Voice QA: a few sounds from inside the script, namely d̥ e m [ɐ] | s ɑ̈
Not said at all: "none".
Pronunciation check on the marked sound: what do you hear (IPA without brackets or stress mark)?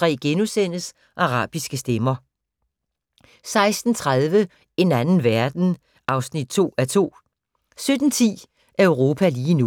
ɐ